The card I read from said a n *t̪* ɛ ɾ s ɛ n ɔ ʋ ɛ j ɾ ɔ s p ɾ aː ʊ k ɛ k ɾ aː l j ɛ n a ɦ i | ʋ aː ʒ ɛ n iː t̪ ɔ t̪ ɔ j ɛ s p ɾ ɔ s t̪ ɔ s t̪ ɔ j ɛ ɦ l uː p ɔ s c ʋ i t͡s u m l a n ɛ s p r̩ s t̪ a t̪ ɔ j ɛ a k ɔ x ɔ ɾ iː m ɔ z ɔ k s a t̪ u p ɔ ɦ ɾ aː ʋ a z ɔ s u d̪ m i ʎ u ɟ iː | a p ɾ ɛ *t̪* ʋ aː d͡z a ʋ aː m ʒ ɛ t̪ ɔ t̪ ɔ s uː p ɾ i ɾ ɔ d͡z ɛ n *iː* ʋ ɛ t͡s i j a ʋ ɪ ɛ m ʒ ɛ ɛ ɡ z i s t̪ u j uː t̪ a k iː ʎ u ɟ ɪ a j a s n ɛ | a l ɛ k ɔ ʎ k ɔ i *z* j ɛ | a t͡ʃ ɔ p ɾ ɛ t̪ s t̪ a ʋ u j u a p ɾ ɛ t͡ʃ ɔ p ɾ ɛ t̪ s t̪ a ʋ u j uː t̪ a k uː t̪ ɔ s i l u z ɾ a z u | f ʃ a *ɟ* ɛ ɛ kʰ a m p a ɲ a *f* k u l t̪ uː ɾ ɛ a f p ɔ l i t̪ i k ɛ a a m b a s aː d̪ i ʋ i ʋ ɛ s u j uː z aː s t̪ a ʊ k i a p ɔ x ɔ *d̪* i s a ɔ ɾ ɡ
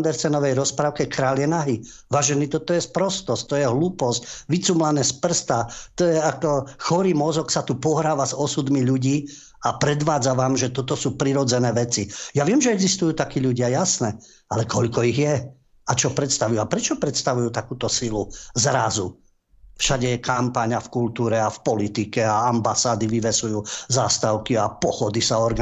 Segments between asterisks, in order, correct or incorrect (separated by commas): incorrect, incorrect, incorrect, incorrect, correct, correct, correct